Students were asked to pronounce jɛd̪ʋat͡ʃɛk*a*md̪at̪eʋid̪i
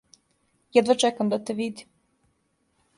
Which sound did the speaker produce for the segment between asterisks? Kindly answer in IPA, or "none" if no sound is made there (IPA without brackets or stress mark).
a